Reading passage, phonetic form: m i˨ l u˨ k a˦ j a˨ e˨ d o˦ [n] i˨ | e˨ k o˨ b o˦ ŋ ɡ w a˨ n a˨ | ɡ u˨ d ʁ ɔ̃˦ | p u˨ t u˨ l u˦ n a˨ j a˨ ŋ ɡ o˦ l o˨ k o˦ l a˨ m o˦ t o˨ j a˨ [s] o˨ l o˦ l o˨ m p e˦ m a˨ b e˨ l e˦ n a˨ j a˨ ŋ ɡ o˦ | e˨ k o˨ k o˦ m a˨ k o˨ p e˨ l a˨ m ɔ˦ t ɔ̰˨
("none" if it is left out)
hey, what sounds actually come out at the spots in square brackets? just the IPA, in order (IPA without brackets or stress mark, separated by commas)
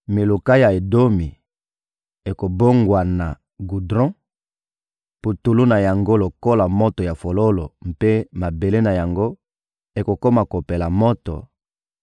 m, f